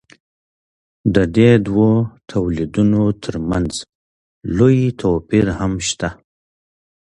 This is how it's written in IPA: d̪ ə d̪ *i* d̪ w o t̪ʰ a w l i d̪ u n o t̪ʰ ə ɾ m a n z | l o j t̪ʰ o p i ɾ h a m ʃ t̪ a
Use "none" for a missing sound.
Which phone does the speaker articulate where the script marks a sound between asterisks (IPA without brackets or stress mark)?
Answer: e